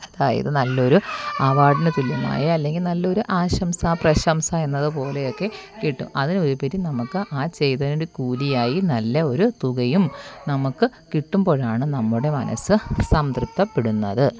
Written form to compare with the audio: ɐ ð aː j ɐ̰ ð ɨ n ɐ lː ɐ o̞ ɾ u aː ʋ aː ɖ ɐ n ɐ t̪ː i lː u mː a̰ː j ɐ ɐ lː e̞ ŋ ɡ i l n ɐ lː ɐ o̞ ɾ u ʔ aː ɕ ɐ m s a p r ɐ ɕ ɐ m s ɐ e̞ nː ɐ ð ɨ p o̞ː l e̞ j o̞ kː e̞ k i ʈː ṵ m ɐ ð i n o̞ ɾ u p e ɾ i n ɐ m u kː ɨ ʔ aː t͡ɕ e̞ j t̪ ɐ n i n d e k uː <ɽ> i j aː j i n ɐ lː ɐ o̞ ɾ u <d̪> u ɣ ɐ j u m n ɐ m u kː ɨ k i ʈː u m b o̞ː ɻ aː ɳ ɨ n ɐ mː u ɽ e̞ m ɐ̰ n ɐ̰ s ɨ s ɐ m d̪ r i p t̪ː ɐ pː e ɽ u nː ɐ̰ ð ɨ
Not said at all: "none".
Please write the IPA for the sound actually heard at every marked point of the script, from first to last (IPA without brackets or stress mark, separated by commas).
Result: l, t̪